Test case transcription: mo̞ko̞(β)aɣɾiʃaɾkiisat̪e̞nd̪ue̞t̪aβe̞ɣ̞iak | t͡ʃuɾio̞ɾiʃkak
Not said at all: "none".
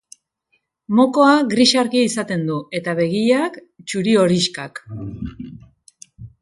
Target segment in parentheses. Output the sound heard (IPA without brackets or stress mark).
none